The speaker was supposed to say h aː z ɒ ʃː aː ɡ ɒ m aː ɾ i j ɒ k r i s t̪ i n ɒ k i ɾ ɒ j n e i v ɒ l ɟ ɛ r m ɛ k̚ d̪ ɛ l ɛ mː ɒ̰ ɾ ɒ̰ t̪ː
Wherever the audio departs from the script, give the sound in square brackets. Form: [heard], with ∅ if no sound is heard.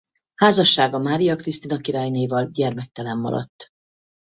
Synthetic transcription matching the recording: h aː z ɒ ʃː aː ɡ ɒ m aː ɾ i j ɒ k r i s t̪ i n ɒ k i ɾ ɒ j n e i v ɒ l ɟ ɛ r m ɛ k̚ [t̪] ɛ l ɛ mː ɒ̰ ɾ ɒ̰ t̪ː